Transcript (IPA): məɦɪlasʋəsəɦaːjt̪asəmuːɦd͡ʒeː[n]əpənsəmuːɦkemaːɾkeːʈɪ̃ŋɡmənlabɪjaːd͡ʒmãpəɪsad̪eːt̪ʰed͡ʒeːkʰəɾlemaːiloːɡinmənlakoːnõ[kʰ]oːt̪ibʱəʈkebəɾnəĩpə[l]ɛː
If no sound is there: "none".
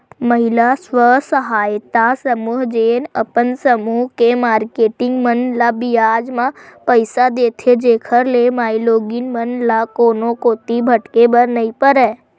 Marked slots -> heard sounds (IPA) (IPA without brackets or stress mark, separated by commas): n, k, ɾ